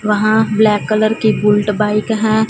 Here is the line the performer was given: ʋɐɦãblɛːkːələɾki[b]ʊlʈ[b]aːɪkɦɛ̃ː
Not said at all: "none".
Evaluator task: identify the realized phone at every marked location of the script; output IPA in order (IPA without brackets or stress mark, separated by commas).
b, b